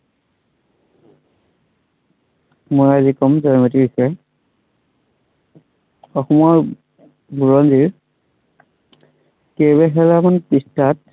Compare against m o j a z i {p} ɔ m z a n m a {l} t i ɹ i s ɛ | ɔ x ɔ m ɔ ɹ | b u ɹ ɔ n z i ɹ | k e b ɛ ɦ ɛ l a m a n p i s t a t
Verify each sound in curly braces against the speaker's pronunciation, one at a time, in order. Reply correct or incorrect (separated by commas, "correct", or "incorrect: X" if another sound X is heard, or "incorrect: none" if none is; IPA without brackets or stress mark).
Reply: incorrect: k, incorrect: none